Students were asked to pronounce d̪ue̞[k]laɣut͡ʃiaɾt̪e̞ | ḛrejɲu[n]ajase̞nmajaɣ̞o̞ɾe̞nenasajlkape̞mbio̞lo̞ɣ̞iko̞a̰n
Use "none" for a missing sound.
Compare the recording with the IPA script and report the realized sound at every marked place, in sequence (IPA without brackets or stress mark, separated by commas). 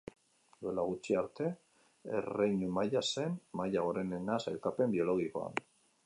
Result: none, m